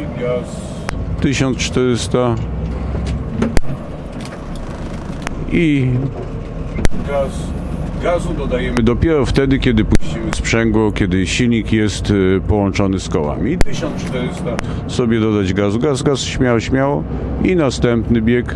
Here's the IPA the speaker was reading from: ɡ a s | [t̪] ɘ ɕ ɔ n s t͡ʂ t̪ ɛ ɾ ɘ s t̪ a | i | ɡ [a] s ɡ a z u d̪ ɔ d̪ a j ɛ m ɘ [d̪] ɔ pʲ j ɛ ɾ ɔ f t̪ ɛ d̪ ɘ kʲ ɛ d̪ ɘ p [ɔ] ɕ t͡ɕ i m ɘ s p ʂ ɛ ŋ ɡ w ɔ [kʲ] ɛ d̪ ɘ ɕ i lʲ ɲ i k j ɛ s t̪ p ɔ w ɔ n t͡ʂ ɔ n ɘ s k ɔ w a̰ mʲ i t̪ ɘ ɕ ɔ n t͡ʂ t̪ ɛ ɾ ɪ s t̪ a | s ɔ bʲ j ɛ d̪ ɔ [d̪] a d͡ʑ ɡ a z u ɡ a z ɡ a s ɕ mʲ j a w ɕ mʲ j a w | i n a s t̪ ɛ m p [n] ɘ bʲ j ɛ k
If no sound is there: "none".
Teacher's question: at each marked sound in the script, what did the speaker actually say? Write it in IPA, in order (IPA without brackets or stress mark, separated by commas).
t̪, a, d̪, u, kʲ, d̪, n